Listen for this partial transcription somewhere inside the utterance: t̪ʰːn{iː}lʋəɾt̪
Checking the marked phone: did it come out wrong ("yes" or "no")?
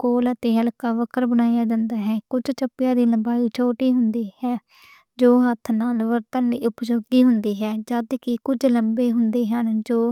yes